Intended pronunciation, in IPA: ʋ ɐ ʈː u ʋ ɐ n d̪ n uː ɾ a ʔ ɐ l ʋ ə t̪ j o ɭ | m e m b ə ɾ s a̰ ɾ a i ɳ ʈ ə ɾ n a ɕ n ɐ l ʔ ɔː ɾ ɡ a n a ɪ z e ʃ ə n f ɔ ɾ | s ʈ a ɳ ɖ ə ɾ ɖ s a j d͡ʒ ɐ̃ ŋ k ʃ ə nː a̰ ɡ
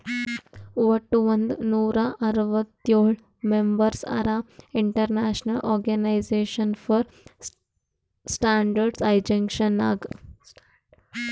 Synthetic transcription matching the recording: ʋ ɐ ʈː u ʋ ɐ n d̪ n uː ɾ a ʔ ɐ ɾ ʋ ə t̪ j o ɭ | m e m b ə ɾ s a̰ ɾ a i ɳ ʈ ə ɾ n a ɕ n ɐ l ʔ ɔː ɾ ɡ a n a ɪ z e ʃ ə n f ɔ ɾ | s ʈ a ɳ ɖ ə ɾ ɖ s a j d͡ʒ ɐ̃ ŋ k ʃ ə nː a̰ ɡ